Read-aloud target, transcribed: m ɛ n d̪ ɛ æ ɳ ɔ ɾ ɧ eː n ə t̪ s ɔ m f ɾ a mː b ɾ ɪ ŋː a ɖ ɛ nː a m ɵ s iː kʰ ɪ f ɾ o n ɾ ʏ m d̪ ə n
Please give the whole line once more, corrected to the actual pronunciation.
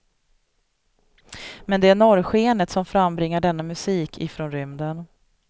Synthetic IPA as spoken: m ɛ n d̪ ɛ æ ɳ ɔ ɾ ɧ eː n ə t̪ s ɔ m f ɾ a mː b ɾ ɪ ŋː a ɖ ɛ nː a m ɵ s iː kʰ ɪ f ɾ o n ɾ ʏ m d̪ ə n